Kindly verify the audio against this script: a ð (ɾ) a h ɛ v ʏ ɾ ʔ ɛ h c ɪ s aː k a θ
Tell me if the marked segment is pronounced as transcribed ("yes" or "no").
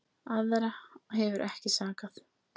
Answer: yes